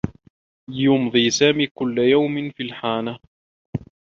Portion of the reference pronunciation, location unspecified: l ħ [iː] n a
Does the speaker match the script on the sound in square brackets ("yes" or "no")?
no